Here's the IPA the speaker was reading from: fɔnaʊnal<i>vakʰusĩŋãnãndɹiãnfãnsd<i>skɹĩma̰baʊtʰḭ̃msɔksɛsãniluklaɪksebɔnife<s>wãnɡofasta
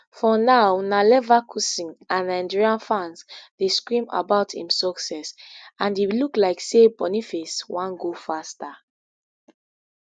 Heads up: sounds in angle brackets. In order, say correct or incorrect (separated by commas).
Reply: incorrect, incorrect, correct